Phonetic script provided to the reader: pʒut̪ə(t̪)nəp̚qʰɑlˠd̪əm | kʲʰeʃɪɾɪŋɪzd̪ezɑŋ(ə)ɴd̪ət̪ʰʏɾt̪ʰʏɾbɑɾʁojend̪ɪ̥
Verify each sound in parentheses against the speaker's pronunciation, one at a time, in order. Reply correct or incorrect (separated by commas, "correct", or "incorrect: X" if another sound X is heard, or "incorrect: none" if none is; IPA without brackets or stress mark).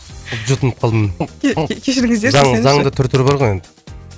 incorrect: none, incorrect: ɑ